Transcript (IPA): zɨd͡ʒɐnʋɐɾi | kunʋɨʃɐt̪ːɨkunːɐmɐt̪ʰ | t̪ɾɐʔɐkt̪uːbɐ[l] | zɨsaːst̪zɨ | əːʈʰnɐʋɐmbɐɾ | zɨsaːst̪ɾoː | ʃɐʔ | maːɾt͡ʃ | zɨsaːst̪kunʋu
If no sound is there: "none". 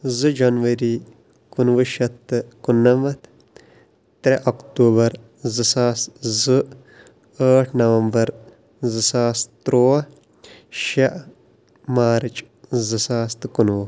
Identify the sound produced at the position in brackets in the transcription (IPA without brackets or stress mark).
ɾ